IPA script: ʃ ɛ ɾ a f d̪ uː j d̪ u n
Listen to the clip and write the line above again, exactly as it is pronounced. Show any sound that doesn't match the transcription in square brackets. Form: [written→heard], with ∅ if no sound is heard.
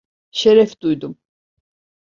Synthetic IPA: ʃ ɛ ɾ [a→ɛ] f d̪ [uː→u] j d̪ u [n→m]